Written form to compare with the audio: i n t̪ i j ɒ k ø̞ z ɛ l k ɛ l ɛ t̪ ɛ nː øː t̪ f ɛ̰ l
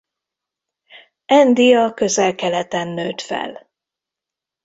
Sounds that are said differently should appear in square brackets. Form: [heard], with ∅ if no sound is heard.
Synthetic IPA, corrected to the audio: [ɛ] n [d̪] i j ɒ k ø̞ z ɛ l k ɛ l ɛ t̪ ɛ nː øː t̪ f ɛ̰ l